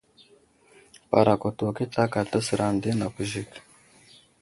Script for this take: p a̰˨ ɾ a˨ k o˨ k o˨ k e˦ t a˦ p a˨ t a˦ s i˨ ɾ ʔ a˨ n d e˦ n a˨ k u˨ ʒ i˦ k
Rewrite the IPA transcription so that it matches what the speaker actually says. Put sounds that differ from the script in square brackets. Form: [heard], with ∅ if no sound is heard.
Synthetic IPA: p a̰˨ ɾ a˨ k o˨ [t] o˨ k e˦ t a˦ [k] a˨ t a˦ s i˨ ɾ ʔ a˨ n d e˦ n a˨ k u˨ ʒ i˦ k

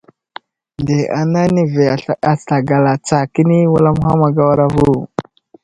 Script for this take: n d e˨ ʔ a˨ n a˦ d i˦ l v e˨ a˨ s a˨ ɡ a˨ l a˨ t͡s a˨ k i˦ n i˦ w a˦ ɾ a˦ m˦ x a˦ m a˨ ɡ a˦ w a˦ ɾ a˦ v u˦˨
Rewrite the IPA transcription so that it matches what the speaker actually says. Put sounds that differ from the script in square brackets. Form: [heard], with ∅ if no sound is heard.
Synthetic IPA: n d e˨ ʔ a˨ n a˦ [n] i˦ [∅] v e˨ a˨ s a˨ ɡ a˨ l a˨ t͡s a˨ k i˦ n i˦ w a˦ [l] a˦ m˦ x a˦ m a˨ ɡ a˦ w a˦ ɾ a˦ v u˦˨

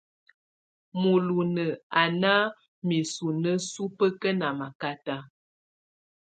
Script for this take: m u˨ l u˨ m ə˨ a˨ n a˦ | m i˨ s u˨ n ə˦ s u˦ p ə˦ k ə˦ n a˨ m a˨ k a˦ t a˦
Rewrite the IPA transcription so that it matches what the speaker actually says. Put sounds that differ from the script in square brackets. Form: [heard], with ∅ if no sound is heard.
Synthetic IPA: m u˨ l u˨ [n] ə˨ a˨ n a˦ | m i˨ s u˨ n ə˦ s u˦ p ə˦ k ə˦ n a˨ m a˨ k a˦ t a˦

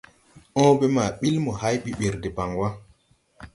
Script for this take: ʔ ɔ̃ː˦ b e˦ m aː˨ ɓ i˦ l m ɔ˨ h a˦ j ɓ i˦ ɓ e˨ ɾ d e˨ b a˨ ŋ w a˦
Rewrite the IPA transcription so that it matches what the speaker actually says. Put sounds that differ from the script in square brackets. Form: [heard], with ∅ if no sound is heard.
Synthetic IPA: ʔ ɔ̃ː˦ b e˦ m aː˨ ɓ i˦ l m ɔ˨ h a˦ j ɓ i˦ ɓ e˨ ɾ d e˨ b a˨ ŋ w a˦

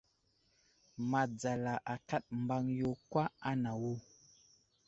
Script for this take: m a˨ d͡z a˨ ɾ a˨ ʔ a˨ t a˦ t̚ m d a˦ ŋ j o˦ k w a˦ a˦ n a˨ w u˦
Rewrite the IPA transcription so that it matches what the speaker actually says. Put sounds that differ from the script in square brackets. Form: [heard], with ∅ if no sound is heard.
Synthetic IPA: m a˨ d͡z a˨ [l] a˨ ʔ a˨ [k] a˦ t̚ m [b] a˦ ŋ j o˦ k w a˦ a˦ n a˨ w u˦

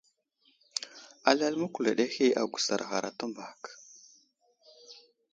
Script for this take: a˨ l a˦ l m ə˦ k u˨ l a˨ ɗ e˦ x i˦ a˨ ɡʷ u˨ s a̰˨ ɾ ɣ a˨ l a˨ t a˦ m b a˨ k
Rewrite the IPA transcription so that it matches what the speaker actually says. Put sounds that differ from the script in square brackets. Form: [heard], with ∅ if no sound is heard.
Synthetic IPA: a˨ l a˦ l m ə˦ k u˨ l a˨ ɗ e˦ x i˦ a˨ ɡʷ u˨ s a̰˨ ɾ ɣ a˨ [ɾ] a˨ t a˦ m b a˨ k

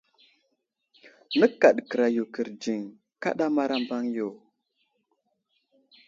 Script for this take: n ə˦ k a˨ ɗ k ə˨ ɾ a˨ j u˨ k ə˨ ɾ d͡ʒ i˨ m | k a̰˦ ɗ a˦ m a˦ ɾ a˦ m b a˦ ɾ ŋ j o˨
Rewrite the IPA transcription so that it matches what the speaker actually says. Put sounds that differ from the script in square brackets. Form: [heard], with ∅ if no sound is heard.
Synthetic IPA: n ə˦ k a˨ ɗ k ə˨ ɾ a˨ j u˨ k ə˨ ɾ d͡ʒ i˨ [ŋ] | k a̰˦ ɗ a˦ m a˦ ɾ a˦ m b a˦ [∅] ŋ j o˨

